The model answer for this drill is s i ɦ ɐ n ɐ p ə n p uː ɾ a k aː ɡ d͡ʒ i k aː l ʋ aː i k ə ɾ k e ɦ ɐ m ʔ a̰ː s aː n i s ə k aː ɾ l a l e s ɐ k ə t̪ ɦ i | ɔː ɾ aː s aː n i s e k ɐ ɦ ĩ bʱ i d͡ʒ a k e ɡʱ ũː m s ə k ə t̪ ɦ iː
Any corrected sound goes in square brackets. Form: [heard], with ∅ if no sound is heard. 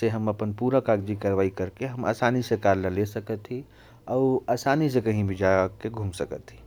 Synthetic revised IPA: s [e] ɦ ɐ [m] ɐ p ə n p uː ɾ a k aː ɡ d͡ʒ i k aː [ɾ] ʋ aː i k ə ɾ k e ɦ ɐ m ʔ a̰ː s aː n i s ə k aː ɾ l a l e s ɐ k ə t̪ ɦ i | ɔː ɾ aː s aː n i s e k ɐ ɦ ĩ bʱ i d͡ʒ a k e ɡʱ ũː m s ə k ə t̪ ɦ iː